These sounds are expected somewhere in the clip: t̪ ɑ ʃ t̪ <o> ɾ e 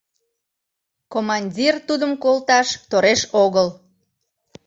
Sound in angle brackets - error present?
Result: no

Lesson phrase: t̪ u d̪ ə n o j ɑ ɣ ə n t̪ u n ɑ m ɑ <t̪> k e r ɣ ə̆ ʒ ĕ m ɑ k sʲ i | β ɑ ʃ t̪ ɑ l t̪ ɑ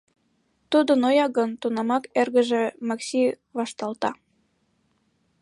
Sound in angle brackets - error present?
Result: yes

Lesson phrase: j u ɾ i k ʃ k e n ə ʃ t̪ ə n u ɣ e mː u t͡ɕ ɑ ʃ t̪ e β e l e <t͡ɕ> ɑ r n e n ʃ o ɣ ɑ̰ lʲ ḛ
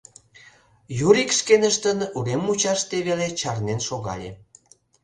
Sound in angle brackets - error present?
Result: no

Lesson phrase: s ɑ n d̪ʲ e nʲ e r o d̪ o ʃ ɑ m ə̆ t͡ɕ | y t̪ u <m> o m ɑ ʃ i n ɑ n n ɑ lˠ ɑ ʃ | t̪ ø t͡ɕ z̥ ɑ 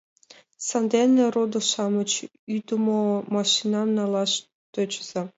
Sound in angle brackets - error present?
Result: no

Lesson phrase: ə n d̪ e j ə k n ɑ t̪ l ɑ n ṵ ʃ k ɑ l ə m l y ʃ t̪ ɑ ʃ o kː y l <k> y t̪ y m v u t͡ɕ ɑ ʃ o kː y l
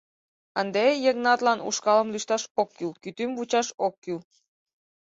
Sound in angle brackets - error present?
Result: no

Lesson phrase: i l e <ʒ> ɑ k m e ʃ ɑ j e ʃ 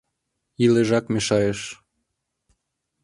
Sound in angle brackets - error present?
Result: no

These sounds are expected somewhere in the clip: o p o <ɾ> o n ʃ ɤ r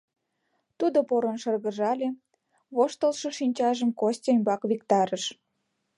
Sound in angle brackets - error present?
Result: no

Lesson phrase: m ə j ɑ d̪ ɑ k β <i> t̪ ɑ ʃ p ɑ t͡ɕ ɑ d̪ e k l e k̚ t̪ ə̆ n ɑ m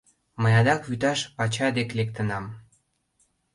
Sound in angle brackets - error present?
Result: yes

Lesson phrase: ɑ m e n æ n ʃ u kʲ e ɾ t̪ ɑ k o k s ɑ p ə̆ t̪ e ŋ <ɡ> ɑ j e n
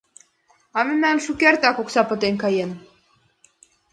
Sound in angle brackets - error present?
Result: yes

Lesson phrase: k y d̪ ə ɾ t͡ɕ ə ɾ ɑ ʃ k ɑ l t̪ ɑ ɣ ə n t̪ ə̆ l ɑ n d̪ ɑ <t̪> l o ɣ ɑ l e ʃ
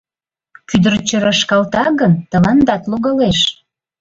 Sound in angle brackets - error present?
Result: no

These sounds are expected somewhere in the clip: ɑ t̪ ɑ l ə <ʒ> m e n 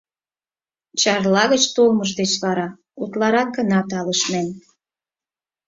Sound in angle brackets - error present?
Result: yes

